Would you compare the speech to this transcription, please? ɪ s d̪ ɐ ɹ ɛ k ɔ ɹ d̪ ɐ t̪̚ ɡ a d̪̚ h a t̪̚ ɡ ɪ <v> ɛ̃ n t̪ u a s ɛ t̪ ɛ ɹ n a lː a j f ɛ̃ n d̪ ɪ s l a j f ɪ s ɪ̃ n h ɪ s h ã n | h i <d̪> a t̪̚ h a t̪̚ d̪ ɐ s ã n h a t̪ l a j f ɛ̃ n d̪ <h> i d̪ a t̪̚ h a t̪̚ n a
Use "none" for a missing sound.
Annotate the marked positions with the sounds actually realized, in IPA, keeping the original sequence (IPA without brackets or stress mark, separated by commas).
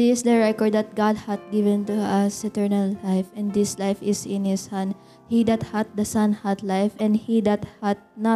v, d̪, h